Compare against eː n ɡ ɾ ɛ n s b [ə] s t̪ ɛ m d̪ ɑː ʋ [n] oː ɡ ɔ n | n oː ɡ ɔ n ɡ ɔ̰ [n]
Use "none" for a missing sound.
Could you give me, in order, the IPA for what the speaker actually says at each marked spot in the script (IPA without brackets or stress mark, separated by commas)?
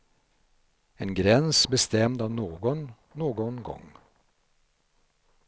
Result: ə, n, ŋ